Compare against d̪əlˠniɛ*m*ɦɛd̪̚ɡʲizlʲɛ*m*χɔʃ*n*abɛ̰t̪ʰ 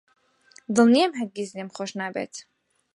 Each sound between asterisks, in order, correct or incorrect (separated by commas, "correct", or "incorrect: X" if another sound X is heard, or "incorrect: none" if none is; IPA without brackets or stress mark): correct, correct, correct